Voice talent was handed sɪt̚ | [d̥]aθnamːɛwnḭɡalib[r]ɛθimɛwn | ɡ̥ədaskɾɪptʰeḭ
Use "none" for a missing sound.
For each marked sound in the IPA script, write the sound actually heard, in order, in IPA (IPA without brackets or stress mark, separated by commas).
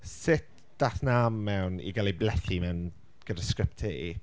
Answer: d̥, l